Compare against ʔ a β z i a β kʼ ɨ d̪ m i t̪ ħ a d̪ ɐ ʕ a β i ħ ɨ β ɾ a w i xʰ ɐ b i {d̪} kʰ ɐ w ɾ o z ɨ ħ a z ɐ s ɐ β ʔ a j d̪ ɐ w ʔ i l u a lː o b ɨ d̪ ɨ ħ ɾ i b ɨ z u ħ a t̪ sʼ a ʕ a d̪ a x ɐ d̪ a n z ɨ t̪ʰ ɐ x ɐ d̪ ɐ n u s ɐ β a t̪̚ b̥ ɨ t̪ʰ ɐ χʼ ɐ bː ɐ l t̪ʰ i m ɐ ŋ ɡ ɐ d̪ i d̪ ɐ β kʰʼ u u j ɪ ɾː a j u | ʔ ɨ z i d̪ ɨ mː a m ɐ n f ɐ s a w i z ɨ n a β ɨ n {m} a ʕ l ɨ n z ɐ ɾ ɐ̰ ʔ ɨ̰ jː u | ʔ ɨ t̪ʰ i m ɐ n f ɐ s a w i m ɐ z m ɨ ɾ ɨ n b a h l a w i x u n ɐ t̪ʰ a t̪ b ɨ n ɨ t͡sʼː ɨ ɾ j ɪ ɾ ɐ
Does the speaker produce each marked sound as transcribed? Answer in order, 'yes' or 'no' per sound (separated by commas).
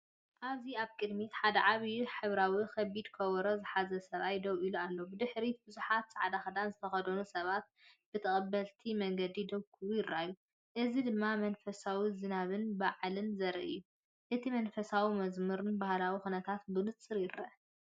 yes, no